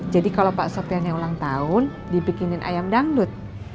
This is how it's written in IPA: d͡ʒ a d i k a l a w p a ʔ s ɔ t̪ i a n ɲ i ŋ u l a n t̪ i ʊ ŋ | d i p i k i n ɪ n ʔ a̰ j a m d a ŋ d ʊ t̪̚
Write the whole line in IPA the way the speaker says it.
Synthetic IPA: d͡ʒ a d i k a l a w p a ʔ s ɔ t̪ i a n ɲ a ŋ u l a ŋ t̪ a ʊ n | d i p i k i n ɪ n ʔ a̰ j a m d a ŋ d ʊ t̪̚